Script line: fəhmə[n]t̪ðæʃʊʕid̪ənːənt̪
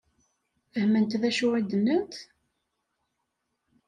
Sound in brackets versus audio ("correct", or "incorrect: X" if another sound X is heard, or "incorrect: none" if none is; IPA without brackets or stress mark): correct